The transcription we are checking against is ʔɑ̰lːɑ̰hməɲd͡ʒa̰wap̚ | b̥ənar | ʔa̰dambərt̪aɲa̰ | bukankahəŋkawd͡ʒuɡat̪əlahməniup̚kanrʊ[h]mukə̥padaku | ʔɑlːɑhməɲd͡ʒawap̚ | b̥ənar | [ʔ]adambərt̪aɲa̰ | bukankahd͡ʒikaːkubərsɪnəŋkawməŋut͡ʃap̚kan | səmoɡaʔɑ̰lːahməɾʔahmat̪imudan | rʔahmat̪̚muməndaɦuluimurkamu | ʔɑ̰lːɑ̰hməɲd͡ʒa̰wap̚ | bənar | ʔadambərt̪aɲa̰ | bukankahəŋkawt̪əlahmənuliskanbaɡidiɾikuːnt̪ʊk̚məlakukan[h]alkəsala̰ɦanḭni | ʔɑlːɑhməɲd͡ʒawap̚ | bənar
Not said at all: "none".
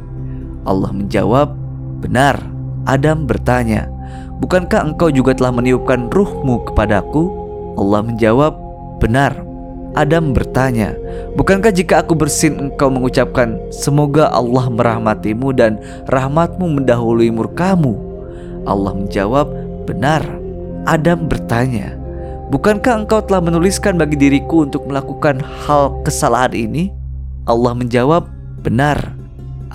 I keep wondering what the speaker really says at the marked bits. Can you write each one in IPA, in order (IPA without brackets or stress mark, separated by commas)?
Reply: h, ʔ, h